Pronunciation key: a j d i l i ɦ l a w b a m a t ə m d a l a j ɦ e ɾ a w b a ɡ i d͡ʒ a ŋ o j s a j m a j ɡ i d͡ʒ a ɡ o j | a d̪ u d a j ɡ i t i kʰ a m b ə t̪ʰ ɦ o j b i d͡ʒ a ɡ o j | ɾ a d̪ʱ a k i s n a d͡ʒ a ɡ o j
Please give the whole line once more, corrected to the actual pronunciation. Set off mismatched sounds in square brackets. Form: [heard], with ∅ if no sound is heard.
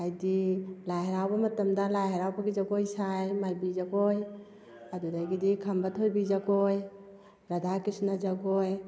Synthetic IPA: a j d i l [a] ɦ [ɾ] a w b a m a t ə m d a l a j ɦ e ɾ a w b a ɡ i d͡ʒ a [ɡ] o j s a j m a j [b] i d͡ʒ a ɡ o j | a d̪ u d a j ɡ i [d] i kʰ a m b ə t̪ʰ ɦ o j b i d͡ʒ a ɡ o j | ɾ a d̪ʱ a k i s n a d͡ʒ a ɡ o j